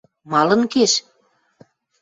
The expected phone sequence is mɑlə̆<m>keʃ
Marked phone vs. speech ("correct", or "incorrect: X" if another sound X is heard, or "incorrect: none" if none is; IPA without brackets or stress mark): incorrect: n